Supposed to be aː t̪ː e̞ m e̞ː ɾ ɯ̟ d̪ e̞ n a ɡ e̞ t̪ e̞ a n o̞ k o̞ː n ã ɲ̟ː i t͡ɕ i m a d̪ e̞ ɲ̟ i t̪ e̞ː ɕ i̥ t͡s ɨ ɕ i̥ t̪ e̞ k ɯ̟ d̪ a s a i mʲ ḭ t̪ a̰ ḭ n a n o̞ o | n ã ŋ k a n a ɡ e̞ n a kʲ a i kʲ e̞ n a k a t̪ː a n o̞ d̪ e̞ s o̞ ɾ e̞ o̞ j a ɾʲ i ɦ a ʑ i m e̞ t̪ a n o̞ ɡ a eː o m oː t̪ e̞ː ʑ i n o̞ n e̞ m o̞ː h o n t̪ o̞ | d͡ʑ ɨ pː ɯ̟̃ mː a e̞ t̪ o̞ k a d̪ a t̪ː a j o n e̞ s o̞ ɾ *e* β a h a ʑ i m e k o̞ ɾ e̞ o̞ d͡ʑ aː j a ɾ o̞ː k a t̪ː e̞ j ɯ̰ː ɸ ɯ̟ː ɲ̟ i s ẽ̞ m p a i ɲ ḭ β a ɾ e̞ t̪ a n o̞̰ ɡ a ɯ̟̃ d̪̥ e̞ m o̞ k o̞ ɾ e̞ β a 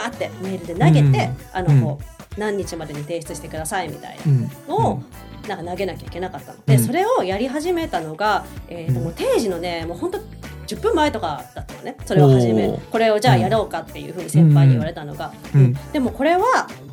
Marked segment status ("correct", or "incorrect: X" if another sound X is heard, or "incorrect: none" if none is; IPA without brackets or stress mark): correct